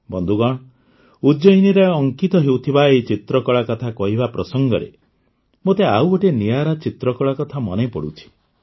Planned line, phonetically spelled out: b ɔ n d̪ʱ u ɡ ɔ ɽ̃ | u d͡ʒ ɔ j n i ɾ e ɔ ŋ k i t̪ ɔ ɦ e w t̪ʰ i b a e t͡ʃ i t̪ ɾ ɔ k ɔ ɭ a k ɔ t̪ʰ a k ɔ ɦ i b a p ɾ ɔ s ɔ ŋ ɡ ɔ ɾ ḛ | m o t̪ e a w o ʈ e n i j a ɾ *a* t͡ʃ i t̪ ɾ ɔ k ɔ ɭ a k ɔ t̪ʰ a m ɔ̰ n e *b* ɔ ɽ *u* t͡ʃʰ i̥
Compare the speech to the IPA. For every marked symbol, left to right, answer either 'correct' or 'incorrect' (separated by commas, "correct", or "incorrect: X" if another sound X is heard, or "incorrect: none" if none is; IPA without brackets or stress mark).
correct, incorrect: p, correct